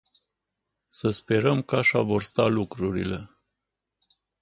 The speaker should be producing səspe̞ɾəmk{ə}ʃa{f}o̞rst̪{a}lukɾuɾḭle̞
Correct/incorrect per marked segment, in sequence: incorrect, incorrect, correct

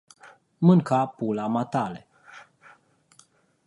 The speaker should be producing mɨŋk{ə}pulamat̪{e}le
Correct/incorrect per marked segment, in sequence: incorrect, incorrect

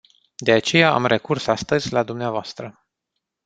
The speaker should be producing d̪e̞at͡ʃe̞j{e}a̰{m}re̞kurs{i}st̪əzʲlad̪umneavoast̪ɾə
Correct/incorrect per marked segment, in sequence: incorrect, correct, incorrect

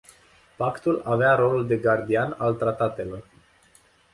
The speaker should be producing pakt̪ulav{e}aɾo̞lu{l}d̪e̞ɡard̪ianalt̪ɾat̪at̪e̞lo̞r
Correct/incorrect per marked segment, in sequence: correct, correct

